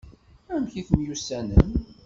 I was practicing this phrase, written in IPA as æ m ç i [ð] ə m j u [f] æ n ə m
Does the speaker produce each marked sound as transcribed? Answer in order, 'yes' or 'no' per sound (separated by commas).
no, no